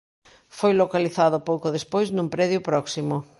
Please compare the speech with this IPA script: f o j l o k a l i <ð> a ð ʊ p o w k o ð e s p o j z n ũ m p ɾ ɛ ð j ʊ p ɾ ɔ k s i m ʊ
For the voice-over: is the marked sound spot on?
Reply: no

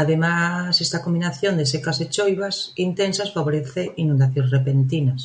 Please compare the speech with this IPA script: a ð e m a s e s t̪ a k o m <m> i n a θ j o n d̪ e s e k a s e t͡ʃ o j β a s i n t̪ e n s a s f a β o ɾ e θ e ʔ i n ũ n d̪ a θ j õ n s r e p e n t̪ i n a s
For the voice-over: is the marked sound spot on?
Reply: no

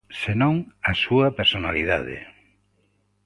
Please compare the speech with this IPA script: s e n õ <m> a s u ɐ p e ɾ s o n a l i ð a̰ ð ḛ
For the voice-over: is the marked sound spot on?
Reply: no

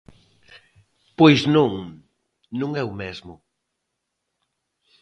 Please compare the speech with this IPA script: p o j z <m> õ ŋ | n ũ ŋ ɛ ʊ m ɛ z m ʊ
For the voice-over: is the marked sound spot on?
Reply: no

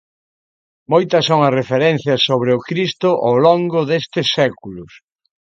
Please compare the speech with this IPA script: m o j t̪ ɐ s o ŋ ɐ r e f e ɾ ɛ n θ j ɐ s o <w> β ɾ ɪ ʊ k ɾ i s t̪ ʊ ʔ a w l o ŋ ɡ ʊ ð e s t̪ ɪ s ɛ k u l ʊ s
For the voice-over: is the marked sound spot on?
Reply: no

